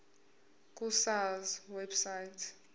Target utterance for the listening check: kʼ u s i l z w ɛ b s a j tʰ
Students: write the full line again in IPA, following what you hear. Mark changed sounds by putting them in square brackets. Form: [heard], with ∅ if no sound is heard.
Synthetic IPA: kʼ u s [a] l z w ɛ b s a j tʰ